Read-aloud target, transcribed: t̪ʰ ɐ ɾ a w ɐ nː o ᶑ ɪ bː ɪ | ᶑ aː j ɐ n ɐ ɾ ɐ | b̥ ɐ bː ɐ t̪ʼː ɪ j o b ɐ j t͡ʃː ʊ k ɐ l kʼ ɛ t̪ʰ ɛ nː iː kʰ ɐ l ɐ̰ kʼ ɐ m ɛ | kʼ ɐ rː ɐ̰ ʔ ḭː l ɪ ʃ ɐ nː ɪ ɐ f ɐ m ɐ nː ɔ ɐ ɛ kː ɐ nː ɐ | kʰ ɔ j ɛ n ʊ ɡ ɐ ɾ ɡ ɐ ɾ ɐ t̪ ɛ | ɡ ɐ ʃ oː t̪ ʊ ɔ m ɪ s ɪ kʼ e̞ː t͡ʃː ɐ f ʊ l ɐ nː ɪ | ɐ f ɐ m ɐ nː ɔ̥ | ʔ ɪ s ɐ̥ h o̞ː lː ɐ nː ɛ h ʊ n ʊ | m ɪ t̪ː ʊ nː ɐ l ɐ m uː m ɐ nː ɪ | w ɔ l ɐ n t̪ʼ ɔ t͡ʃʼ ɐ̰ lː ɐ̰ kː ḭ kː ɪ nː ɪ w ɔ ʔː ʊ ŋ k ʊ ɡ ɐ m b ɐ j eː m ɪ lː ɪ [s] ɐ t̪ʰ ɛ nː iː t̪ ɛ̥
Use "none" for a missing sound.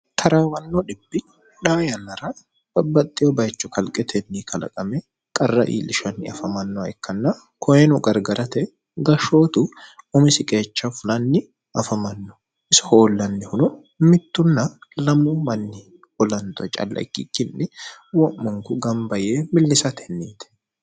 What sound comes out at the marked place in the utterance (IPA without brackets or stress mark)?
s